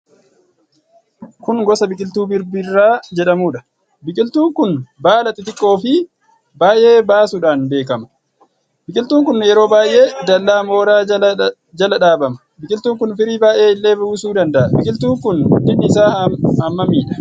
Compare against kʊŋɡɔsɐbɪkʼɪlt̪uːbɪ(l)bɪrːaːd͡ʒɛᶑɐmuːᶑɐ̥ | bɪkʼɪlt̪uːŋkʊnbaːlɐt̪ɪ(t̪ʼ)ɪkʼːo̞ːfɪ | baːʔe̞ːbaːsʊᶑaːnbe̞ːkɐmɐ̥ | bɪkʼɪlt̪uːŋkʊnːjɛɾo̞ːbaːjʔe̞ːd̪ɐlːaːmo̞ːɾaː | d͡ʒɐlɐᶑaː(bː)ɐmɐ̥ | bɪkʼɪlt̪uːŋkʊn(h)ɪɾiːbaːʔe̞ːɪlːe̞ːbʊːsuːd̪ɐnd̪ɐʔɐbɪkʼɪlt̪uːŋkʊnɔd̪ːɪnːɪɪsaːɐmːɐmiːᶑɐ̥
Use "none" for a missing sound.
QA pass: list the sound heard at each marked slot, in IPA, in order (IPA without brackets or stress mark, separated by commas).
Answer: ɾ, t̪, b, f